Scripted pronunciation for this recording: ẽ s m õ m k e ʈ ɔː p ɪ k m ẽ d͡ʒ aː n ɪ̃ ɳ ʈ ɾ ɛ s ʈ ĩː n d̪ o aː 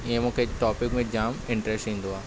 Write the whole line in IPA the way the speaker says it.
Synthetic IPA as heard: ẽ m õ k e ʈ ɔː p ɪ k m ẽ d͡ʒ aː m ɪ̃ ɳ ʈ ɾ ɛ s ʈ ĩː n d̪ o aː